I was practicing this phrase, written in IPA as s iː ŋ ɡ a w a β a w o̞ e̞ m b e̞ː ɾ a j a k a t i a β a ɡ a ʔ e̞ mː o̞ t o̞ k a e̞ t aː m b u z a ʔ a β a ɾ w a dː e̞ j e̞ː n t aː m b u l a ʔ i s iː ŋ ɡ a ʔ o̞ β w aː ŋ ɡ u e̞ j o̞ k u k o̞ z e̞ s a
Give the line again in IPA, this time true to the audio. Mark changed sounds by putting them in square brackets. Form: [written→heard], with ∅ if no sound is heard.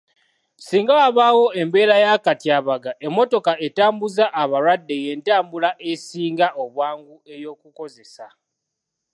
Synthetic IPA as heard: s iː ŋ ɡ a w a β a w o̞ e̞ m b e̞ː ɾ a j a k a t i a β a ɡ a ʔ e̞ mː o̞ t o̞ k a e̞ t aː m b u z a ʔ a β a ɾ w a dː e̞ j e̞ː n t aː m b u l a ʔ [i→e] s iː ŋ ɡ a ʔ o̞ β w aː ŋ ɡ u e̞ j o̞ k u k o̞ z e̞ s a